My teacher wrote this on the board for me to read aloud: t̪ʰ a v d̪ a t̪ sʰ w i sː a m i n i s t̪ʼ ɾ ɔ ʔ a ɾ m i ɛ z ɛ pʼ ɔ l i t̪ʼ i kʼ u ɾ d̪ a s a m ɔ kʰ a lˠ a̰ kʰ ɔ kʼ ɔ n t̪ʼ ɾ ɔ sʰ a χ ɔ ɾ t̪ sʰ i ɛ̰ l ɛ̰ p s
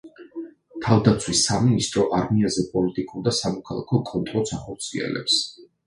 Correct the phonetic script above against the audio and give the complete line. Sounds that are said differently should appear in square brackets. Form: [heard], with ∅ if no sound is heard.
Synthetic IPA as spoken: t̪ʰ a v d̪ a t̪ sʰ w i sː a m i n i s t̪ʼ ɾ ɔ ʔ a ɾ m i [a] z ɛ pʼ ɔ l i t̪ʼ i kʼ u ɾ d̪ a s a m ɔ kʰ a lˠ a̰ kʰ ɔ kʼ ɔ n t̪ʼ ɾ ɔ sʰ a χ ɔ ɾ t̪ sʰ i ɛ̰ l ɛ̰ p s